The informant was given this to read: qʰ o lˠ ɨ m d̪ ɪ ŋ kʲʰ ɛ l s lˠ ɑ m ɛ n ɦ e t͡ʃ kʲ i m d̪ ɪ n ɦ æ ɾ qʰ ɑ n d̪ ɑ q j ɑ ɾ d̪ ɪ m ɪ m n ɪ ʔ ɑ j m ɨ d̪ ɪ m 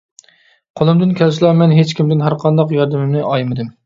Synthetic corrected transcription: qʰ o lˠ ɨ m d̪ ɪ n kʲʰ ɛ l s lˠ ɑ m ɛ n ɦ e t͡ʃ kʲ i m d̪ ɪ n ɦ æ ɾ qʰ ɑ n d̪ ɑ q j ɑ ɾ d̪ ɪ m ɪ m n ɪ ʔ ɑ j m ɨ d̪ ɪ m

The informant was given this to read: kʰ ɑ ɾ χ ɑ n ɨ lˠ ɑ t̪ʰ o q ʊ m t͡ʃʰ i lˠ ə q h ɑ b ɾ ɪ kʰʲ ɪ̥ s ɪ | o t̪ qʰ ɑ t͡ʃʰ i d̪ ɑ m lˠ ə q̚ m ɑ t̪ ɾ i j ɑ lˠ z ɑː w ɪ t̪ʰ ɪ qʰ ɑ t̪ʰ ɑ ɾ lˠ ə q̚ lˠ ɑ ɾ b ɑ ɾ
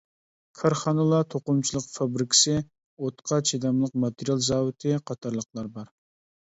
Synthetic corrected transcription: kʰ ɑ ɾ χ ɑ n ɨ lˠ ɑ t̪ʰ o q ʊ m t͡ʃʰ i lˠ ə q f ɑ b ɾ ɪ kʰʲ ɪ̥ s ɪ | o t̪ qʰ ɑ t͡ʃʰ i d̪ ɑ m lˠ ə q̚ m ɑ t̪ ɾ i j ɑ lˠ z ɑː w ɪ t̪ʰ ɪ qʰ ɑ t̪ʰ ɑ ɾ lˠ ə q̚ lˠ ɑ ɾ b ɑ ɾ

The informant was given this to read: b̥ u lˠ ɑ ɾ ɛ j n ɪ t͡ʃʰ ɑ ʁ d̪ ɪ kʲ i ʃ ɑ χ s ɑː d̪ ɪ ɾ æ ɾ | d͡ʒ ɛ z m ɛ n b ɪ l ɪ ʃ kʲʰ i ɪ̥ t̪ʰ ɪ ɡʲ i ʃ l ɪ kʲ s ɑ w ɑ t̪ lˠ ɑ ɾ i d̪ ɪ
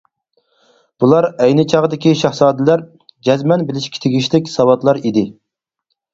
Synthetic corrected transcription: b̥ u lˠ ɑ ɾ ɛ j n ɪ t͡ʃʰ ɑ ʁ d̪ ɪ kʲ i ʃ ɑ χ s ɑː d̪ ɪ l æ ɾ | d͡ʒ ɛ z m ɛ n b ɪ l ɪ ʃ kʲ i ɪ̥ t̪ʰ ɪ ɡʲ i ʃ l ɪ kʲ s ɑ w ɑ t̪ lˠ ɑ ɾ i d̪ ɪ

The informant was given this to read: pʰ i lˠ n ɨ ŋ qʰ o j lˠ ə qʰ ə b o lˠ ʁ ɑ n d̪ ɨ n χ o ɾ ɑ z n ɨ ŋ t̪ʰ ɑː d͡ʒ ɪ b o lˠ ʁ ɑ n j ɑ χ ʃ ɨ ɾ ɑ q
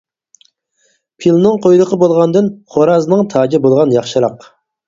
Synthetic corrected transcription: pʰ i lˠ n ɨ ŋ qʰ o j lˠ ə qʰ ə b o lˠ ʁ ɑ n d̪ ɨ n χ o ɾ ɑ z n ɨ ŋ t̪ʰ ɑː d͡ʒ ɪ b o lˠ ʁ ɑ n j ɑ χ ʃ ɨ ɾ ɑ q

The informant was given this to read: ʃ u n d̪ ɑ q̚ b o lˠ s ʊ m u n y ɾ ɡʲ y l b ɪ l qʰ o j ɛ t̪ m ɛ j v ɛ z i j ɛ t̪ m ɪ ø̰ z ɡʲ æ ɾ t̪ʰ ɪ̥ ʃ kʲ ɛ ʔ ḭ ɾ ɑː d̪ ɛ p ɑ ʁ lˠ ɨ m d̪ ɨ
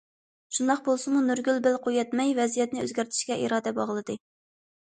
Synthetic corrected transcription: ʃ u n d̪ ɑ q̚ b o lˠ s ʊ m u n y ɾ ɡʲ y l b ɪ l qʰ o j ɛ t̪ m ɛ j v ɛ z i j ɛ t̪ n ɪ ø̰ z ɡʲ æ ɾ t̪ʰ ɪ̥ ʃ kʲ ɛ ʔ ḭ ɾ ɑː d̪ ɛ b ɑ ʁ lˠ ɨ d̪ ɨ

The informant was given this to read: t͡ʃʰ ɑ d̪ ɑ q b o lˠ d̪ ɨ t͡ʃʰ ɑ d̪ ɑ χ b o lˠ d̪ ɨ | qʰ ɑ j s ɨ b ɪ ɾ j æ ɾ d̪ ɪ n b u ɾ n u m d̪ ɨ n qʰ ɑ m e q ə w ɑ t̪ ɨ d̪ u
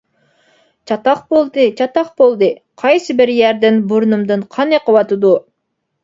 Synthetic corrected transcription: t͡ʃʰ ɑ t̪ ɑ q b o lˠ d̪ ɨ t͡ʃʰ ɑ t̪ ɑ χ b o lˠ d̪ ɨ | qʰ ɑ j s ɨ b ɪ ɾ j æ ɾ d̪ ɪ n b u ɾ n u m d̪ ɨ n qʰ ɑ n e q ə w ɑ t̪ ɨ d̪ u

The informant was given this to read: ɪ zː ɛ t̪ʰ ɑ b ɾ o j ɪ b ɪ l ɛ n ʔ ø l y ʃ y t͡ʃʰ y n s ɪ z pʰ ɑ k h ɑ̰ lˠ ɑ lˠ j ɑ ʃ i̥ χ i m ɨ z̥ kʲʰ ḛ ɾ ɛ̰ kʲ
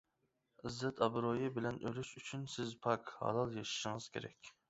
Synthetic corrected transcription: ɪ zː ɛ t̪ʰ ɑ b ɾ o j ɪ b ɪ l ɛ n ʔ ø l y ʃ y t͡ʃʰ y n s ɪ z pʰ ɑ k h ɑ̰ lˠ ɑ lˠ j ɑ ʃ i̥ ʃ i ŋ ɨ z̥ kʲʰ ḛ ɾ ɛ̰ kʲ

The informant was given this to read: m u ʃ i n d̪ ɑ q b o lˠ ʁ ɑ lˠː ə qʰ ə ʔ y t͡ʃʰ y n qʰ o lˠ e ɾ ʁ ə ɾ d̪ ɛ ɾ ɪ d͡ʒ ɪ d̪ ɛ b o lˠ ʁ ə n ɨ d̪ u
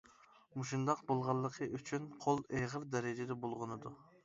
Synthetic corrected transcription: m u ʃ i n d̪ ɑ q b o lˠ ʁ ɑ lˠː ə qʰ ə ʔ y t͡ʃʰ y n qʰ o lˠ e ʁ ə ɾ d̪ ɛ ɾ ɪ d͡ʒ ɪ d̪ ɛ b o lˠ ʁ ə n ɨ d̪ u

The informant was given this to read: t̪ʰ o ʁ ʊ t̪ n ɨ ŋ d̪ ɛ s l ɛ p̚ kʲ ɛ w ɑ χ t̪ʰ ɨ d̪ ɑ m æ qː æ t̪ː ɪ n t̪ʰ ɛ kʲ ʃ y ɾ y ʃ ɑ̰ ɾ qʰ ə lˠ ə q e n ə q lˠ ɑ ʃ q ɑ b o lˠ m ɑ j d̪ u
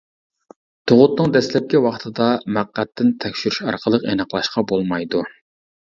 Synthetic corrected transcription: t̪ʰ o ʁ ʊ t̪ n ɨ ŋ d̪ ɛ s l ɛ p̚ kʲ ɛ w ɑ χ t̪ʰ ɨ d̪ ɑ m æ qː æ t̪ː ɪ n t̪ʰ ɛ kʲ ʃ y ɾ y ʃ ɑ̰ ɾ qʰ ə lˠ ə q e n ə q lˠ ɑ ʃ q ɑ b o lˠ m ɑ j d̪ u

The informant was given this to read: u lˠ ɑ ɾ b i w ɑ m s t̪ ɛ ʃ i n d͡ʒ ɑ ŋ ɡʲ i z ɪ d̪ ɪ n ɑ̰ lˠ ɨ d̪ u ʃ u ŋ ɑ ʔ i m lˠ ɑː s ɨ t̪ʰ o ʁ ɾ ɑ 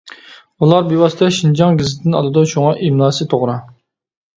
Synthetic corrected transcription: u lˠ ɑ ɾ b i w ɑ s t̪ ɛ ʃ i n d͡ʒ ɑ ŋ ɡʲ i z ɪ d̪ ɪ n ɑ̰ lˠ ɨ d̪ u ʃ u ŋ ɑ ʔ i m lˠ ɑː s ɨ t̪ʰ o ʁ ɾ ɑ

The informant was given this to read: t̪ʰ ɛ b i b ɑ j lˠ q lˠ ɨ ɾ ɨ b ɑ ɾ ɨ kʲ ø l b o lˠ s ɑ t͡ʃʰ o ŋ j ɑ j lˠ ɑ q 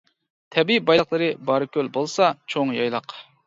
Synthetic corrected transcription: t̪ʰ ɛ b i b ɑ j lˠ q lˠ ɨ ɾ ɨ b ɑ ɾ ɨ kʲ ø l b o lˠ s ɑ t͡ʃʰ o ŋ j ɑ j lˠ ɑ q

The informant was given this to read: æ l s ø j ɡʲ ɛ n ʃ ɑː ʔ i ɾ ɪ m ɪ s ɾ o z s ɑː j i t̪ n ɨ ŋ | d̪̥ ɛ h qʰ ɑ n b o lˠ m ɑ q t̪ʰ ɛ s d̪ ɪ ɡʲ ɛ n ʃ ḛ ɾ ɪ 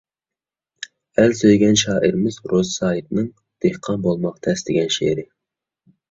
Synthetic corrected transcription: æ l s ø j ɡʲ ɛ n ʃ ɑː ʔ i ɾ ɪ m ɪ z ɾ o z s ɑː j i t̪ n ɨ ŋ | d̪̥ e h qʰ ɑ n b o lˠ m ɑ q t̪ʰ ɛ s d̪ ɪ ɡʲ ɛ n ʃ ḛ ɾ ɪ

